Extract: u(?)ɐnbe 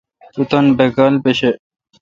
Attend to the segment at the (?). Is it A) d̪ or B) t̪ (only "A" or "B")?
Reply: B